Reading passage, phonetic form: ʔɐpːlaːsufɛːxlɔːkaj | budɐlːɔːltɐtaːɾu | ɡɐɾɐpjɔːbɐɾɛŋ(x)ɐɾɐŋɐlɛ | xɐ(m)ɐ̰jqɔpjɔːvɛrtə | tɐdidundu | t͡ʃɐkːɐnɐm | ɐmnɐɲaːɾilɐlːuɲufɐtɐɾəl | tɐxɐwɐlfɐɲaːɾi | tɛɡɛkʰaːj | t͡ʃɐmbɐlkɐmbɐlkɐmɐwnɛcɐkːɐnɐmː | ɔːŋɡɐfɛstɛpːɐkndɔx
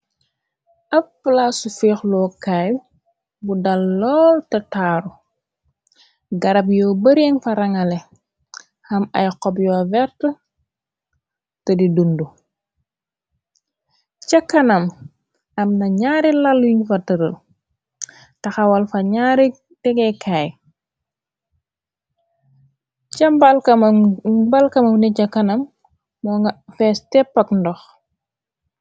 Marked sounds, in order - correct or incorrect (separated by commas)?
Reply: incorrect, correct